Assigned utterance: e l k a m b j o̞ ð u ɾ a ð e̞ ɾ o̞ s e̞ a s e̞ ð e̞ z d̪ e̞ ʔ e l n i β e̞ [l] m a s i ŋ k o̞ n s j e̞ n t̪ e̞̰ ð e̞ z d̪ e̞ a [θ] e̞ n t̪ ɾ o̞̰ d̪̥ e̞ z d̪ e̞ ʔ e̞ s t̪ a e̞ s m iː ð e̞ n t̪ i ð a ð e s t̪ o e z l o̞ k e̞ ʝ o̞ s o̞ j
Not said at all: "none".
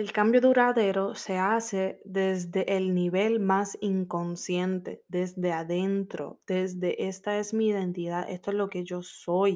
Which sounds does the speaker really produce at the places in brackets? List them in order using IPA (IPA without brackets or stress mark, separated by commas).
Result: l, ð